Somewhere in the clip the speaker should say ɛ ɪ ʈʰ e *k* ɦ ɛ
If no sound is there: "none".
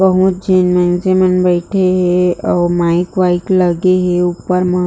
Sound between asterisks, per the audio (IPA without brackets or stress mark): none